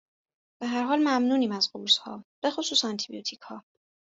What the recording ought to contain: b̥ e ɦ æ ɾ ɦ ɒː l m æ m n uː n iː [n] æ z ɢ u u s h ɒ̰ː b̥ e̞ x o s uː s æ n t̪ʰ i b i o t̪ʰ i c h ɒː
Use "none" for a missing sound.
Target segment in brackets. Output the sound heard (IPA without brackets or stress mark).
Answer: m